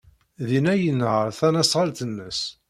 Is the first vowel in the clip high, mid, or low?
high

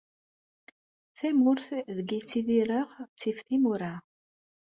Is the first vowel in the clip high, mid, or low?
low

